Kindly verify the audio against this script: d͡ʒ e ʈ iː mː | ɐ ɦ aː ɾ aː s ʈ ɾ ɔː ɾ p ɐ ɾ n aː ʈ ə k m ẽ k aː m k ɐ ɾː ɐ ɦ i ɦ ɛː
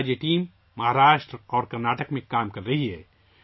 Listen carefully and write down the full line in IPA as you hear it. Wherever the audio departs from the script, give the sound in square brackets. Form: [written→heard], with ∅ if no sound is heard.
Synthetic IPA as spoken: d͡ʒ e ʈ iː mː | ɐ ɦ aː ɾ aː [s→ʃ] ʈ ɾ ɔː ɾ [p→k] ɐ ɾ n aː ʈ ə k m ẽ k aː m k ɐ ɾː ɐ ɦ i ɦ ɛː